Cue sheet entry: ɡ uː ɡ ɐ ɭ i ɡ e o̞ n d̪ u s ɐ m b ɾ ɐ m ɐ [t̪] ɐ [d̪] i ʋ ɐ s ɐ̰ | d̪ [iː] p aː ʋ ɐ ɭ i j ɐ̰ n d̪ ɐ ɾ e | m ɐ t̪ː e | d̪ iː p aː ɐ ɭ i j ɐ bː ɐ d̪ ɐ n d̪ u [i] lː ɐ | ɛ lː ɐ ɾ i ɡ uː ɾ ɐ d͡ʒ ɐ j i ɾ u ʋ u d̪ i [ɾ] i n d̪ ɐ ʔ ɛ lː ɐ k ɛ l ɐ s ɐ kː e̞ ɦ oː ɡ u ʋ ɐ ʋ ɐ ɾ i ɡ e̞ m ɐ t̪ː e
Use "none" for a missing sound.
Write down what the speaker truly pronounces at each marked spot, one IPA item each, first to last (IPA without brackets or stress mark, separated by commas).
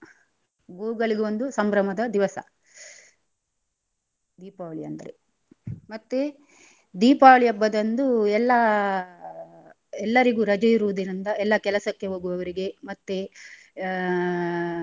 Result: d̪, d̪, iː, ɛ, ɾ